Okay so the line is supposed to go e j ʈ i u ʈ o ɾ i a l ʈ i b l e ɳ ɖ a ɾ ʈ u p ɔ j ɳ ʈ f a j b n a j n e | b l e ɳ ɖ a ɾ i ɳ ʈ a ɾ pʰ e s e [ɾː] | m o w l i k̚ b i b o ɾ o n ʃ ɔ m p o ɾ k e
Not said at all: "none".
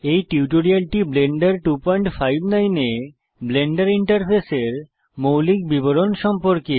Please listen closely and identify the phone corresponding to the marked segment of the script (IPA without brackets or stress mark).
ɾ